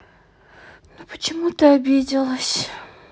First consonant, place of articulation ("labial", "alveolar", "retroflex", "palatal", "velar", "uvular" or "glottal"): alveolar